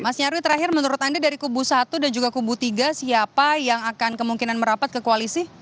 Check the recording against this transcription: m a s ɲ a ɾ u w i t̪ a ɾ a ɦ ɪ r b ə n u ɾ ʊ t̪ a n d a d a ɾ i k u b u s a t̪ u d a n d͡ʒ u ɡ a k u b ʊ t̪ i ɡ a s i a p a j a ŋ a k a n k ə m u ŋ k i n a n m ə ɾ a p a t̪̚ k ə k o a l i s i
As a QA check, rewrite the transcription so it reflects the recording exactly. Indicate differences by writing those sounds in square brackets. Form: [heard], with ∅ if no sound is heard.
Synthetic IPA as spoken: m a s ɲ a ɾ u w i t̪ [ə] ɾ a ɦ ɪ r [m] ə n u ɾ ʊ t̪ a n d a d a ɾ i k u b u s a t̪ u d a n d͡ʒ u ɡ a k u b [u] t̪ i ɡ a s i a p a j a ŋ a k a n k ə m u ŋ k i n a n m ə ɾ a p a t̪̚ k ə k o a l i s i